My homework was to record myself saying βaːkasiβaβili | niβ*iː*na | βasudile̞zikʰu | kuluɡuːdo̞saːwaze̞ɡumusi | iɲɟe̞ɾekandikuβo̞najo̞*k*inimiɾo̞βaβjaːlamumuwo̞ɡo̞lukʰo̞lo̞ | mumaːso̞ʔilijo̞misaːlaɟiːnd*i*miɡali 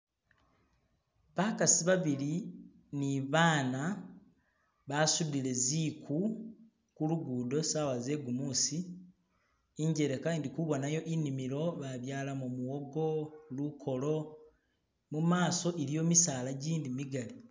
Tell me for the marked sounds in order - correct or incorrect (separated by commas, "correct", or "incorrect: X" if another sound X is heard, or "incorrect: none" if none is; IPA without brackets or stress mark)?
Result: incorrect: aː, incorrect: ʔ, correct